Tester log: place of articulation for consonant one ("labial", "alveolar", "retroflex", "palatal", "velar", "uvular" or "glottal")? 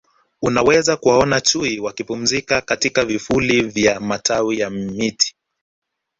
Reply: alveolar